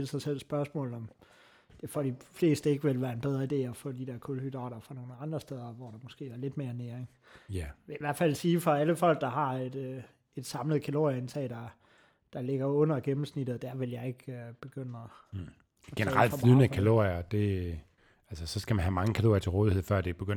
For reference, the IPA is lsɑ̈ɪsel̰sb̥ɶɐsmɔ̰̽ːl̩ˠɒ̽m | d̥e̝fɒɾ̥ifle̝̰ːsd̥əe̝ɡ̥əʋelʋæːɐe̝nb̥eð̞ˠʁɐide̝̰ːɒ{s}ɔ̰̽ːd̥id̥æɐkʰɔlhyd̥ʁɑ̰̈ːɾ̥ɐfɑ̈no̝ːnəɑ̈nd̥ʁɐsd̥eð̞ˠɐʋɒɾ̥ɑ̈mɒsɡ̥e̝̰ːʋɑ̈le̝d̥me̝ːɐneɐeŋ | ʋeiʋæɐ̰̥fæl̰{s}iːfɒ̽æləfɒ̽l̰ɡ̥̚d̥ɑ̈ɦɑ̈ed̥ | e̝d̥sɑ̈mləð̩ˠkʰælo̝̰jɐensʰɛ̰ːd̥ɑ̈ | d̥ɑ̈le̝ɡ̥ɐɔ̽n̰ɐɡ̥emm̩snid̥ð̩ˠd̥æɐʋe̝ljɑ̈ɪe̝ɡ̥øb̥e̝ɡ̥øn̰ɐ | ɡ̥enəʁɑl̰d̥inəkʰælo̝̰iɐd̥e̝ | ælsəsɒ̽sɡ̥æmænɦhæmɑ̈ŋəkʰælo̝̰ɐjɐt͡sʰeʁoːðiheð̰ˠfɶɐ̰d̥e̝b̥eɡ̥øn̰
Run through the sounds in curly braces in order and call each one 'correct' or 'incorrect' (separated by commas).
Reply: incorrect, correct